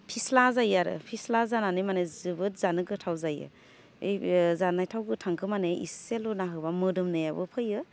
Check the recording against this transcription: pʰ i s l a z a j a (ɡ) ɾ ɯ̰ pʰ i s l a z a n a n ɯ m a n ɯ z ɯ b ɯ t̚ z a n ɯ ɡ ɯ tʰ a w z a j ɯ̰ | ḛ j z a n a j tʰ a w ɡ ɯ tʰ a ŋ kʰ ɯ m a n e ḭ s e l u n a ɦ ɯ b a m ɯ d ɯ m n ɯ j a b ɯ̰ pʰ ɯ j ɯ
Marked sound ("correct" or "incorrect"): incorrect